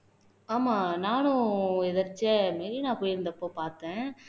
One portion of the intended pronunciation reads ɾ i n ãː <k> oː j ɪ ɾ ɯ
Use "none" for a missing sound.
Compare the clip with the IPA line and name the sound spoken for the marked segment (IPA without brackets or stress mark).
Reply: p